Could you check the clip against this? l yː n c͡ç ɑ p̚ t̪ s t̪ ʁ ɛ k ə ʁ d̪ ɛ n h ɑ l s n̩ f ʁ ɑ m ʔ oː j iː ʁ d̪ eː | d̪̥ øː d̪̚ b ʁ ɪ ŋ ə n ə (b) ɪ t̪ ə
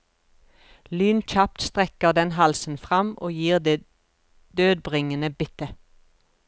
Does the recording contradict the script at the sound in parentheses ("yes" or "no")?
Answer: no